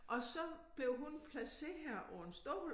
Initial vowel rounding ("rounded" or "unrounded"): rounded